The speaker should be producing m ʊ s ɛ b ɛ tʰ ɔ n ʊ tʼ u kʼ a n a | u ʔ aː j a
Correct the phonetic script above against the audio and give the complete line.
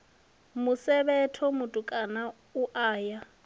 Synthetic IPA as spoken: m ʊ s ɛ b ɛ tʰ ɔ m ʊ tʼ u kʼ a n a | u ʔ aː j a